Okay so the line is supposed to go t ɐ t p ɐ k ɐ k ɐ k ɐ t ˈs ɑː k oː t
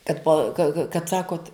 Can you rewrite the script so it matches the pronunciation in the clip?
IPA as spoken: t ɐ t p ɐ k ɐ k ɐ k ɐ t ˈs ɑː k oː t